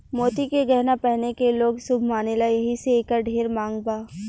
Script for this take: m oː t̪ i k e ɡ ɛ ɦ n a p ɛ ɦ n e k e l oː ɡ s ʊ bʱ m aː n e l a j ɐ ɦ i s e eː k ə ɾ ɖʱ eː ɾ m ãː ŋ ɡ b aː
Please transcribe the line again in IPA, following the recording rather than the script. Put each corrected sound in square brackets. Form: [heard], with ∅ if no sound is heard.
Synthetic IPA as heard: m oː t̪ i k e ɡ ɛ ɦ n a p ɛ ɦ n e k e l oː ɡ s ʊ bʱ m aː n e l a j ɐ ɦ i s e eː k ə ɾ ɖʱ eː ɾ m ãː ŋ ɡ b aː